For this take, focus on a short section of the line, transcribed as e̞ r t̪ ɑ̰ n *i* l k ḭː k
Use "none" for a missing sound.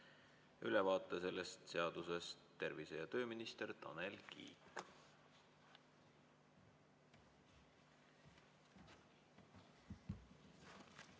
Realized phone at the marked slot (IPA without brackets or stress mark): e